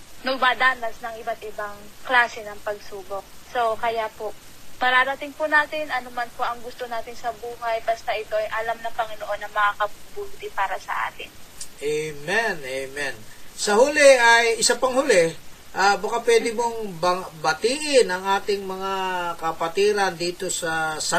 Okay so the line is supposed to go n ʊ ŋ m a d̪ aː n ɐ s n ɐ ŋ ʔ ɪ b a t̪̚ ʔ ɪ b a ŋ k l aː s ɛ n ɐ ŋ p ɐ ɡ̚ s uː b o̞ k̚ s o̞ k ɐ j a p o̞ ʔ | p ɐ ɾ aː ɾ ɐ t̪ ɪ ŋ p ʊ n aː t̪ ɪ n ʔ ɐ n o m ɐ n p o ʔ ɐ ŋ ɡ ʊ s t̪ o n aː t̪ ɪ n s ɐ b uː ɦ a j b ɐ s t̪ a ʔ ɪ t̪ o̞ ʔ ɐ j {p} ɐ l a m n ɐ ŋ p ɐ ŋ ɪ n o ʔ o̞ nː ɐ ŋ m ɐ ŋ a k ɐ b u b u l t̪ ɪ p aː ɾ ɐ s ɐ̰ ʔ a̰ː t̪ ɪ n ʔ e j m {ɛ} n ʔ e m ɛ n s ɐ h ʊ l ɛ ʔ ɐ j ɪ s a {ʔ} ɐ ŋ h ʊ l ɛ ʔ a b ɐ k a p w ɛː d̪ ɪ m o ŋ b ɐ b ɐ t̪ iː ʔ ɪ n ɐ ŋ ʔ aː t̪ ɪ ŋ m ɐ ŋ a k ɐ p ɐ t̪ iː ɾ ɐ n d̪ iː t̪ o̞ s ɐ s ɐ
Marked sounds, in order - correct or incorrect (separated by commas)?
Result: incorrect, correct, incorrect